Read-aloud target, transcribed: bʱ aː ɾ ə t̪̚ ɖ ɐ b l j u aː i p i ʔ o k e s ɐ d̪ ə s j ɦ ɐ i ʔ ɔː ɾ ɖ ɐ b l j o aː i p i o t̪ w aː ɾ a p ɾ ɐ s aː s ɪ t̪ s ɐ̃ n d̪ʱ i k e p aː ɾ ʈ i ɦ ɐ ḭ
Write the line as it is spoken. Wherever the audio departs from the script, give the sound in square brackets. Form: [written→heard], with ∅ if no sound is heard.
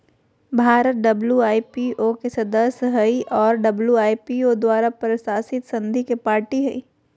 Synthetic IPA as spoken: bʱ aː ɾ ə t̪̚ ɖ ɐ b l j u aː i p i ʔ o k e s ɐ d̪ ə s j ɦ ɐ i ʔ ɔː ɾ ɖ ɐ b l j [o→u] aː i p i o [t̪→d̪] w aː ɾ a p ɾ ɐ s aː s ɪ t̪ s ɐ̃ n d̪ʱ i k e p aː ɾ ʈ i ɦ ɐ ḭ